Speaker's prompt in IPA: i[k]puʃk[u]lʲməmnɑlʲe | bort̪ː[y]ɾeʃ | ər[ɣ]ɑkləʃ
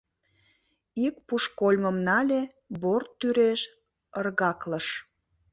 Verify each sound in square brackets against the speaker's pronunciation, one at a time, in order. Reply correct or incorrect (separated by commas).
correct, incorrect, correct, correct